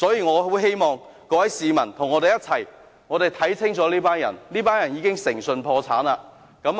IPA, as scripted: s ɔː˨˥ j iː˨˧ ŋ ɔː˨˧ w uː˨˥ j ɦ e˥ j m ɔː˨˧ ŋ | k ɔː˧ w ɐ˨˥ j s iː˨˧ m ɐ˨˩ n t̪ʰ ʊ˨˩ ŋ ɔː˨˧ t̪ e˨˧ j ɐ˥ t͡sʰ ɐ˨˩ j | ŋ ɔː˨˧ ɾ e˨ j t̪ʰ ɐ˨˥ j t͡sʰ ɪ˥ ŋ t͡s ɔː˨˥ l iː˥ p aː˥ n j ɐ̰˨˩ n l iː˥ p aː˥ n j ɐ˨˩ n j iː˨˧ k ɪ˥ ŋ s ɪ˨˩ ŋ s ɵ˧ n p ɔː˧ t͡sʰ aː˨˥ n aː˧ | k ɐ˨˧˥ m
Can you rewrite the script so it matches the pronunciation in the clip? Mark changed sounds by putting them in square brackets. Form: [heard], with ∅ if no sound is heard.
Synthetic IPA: s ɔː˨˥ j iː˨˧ ŋ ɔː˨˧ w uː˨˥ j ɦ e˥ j m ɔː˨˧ ŋ | k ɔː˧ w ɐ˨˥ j s iː˨˧ m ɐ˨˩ n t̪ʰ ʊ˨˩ ŋ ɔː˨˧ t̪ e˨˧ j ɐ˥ t͡sʰ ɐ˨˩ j | ŋ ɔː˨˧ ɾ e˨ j t̪ʰ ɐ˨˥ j t͡sʰ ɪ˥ ŋ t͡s ɔː˨˥ l iː˥ p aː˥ n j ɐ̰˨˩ n l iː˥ p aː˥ n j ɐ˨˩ n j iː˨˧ k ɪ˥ ŋ s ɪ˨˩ ŋ s ɵ˧ n [pʰ] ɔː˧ t͡sʰ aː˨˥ n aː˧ | k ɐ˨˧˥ m